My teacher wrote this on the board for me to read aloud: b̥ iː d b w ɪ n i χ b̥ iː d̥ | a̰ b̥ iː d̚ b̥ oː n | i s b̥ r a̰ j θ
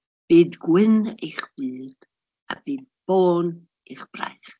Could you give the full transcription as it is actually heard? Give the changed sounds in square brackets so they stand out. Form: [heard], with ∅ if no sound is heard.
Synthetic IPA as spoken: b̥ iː d [ɡ] w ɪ n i χ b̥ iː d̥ | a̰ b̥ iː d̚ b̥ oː n | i [χ] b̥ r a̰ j [χ]